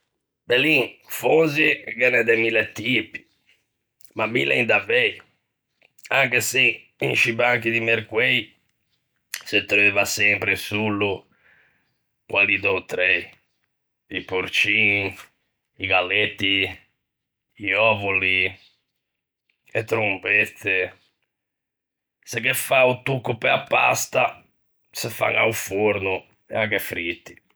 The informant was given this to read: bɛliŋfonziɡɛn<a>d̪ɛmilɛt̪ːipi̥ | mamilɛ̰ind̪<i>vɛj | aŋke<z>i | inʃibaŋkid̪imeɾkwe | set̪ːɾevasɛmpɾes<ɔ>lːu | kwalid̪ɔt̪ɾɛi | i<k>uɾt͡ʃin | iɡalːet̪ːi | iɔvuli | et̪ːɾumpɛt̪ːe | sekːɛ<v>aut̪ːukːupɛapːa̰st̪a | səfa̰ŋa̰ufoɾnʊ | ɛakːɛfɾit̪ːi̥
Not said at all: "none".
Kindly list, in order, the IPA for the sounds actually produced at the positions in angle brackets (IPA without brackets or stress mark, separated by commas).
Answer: ɛ, a, s, u, p, f